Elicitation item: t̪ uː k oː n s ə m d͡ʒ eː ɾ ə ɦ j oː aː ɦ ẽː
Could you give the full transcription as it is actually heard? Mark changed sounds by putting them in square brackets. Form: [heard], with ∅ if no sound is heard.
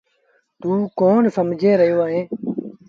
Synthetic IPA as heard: t̪ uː k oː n s ə m d͡ʒ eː ɾ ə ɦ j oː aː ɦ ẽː